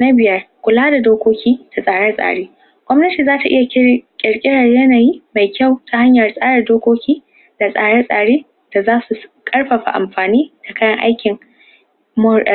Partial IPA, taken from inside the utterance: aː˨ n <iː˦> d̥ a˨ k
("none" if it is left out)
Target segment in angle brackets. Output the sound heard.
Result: iː˦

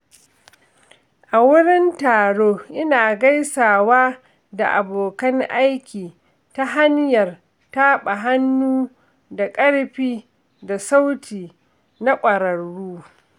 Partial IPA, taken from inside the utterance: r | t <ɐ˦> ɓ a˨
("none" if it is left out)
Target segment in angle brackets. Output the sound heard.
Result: a˦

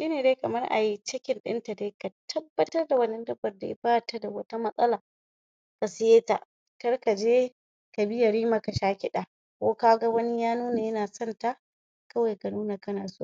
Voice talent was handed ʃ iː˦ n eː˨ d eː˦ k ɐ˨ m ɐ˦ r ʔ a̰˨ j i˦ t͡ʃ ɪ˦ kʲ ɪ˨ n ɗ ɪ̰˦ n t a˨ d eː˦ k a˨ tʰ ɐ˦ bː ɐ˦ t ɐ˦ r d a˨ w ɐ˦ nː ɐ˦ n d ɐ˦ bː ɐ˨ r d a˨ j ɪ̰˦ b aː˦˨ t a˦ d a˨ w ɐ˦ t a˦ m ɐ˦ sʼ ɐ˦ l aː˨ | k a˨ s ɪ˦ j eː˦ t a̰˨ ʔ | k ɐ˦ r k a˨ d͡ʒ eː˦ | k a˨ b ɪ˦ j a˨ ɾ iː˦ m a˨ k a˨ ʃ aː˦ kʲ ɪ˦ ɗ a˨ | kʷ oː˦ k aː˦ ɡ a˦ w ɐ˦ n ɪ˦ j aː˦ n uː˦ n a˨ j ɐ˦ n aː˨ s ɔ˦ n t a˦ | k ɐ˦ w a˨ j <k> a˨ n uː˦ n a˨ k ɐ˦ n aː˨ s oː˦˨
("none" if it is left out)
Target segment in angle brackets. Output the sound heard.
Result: k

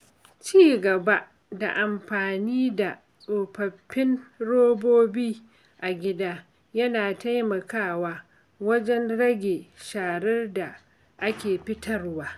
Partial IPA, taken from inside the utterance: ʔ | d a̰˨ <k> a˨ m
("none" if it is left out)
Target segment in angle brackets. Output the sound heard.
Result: ʔ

